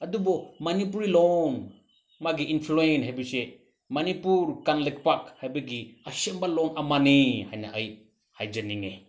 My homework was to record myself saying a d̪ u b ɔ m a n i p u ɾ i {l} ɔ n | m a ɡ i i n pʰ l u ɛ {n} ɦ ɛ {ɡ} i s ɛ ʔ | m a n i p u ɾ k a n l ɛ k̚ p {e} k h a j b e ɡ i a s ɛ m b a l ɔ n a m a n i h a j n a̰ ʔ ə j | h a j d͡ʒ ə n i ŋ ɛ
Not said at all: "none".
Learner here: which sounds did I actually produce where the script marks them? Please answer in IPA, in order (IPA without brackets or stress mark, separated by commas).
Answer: l, n, b, a